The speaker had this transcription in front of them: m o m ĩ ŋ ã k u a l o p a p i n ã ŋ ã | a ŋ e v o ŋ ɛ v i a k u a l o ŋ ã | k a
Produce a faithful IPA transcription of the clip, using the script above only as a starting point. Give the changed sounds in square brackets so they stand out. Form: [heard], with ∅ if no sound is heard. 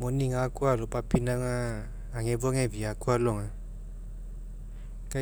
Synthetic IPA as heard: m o [n] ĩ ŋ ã k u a l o p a p i n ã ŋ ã | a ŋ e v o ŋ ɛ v i a k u a l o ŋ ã | k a